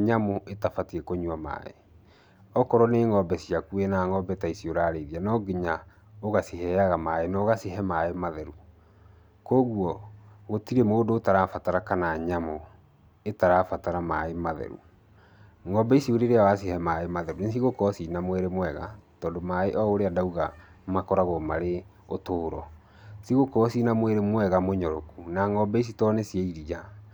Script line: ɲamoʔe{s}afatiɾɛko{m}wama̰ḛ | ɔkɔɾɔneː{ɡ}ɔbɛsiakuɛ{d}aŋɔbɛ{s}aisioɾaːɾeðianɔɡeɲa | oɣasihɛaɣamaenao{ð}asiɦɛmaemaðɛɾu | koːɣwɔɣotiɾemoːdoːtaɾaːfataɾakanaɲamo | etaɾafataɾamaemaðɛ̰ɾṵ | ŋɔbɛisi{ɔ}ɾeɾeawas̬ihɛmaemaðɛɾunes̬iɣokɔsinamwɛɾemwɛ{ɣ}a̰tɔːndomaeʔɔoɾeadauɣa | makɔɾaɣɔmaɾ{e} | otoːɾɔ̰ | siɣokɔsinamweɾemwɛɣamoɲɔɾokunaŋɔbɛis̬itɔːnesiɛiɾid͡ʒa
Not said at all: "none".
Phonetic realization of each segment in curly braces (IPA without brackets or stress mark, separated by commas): t, ɲ, ŋ, n, t, ɣ, o, ɣ, e